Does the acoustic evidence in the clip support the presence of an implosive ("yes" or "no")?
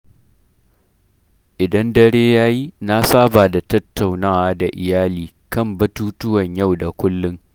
no